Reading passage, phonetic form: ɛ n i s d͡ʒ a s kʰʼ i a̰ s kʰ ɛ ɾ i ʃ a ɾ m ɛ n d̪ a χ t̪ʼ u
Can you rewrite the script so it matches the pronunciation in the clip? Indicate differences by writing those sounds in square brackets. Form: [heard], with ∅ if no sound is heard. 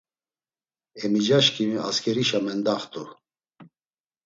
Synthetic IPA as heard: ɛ [m] i [∅] d͡ʒ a [ʃ] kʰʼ i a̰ s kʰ ɛ ɾ i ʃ a [∅] m ɛ n d̪ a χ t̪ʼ u